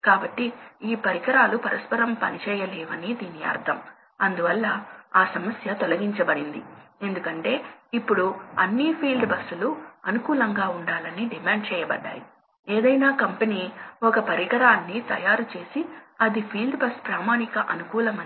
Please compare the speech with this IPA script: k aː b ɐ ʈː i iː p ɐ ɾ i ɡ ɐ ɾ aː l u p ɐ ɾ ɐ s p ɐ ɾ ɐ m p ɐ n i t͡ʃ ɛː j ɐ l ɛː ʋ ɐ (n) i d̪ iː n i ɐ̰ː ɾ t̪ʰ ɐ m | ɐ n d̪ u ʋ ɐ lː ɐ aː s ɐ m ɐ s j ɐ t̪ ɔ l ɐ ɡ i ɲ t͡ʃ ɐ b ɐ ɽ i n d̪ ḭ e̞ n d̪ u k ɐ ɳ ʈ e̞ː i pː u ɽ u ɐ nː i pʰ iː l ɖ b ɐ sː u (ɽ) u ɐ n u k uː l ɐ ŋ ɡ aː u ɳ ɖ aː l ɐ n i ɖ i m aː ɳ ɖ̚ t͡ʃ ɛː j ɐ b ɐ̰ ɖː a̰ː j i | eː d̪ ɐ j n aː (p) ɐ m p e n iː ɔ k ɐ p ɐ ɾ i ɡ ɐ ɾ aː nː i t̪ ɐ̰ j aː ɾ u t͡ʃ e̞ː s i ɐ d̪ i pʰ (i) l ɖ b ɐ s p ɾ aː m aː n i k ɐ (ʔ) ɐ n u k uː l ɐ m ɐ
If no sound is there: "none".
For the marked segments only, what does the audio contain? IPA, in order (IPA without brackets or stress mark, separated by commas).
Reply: n, l, k, iː, ʔ